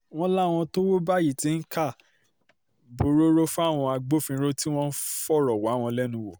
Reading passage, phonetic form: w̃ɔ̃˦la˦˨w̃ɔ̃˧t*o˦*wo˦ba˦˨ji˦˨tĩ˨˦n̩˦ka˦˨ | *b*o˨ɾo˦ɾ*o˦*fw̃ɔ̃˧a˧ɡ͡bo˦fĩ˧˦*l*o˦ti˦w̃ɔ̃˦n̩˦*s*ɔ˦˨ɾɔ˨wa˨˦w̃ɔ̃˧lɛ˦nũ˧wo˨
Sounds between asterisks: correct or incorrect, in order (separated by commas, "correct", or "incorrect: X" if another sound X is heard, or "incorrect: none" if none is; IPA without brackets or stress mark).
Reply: correct, correct, correct, incorrect: ɾ, incorrect: f